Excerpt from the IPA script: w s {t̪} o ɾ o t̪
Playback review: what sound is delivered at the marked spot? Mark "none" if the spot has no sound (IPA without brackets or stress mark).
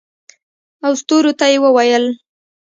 t̪